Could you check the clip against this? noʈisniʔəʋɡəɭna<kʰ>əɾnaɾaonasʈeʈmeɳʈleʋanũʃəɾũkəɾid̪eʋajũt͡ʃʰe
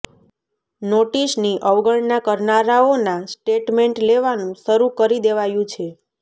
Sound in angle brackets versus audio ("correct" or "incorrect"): incorrect